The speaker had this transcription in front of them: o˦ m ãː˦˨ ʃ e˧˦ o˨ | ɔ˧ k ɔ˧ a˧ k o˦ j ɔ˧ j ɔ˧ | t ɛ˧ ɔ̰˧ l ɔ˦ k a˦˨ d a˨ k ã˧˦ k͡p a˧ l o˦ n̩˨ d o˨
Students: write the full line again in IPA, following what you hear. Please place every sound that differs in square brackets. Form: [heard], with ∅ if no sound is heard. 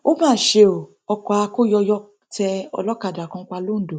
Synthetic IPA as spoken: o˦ m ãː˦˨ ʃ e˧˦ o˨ | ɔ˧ k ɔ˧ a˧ k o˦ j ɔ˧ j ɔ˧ | t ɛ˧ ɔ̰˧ l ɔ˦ k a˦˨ d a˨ k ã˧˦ k͡p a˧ l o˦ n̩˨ d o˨